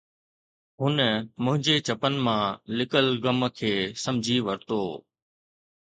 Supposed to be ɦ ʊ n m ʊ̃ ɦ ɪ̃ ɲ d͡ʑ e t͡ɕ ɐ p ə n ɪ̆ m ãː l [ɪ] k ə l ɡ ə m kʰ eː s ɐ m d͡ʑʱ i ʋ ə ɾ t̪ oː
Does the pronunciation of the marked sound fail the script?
no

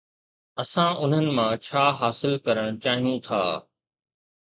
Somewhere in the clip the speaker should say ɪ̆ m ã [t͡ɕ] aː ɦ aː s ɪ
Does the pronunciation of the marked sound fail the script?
yes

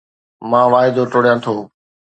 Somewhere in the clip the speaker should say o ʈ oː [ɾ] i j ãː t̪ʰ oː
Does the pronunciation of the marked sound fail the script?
yes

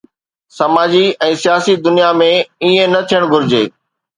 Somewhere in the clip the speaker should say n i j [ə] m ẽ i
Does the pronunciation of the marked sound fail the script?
yes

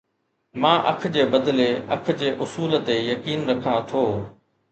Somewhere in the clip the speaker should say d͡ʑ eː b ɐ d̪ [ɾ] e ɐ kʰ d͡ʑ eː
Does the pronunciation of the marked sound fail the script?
yes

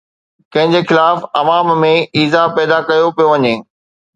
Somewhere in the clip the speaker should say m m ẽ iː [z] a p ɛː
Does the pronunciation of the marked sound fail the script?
no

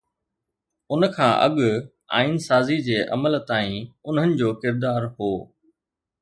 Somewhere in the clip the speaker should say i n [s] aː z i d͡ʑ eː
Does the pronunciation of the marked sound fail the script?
no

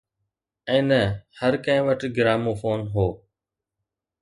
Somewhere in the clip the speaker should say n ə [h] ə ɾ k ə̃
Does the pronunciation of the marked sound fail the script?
no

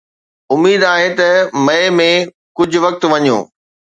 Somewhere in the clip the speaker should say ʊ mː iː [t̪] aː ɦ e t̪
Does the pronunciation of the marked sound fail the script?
yes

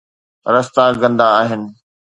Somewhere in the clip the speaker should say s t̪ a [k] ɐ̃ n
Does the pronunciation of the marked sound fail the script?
yes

